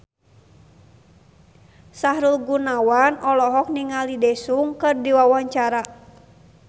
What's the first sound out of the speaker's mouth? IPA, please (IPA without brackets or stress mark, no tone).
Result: s